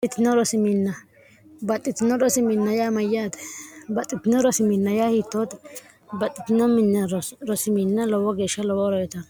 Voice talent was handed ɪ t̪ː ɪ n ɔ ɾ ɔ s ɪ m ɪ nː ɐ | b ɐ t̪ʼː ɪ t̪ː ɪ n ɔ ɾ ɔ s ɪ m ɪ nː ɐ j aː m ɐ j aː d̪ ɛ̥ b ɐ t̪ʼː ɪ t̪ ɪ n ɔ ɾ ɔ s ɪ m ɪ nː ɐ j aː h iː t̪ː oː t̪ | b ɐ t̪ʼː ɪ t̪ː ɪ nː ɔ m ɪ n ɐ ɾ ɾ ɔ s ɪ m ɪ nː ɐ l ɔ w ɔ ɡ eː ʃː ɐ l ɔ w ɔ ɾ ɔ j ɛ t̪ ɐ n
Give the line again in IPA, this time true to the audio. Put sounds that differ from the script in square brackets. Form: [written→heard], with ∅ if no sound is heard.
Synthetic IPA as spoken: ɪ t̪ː ɪ n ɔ ɾ ɔ s ɪ m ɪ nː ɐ | b ɐ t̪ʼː ɪ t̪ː ɪ n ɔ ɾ ɔ s ɪ m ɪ nː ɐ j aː m ɐ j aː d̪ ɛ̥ b ɐ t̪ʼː ɪ t̪ ɪ n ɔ ɾ ɔ s ɪ m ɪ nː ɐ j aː h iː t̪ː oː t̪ | b ɐ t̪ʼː ɪ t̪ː ɪ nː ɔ m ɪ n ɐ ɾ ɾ ɔ s ɪ m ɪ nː ɐ l ɔ w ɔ ɡ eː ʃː ɐ l ɔ w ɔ ɾ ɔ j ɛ t̪ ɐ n